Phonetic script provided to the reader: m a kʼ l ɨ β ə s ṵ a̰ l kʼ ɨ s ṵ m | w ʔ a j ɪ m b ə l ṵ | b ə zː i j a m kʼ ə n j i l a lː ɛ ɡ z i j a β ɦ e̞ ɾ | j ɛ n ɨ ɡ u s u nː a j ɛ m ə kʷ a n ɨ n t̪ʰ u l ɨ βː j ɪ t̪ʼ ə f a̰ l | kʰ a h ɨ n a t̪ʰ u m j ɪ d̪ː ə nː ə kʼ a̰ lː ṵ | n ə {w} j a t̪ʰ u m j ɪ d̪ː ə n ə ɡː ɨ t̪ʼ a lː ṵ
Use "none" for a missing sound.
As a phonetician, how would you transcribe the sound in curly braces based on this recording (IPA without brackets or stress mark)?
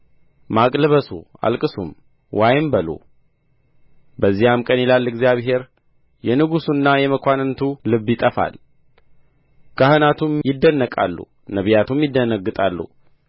β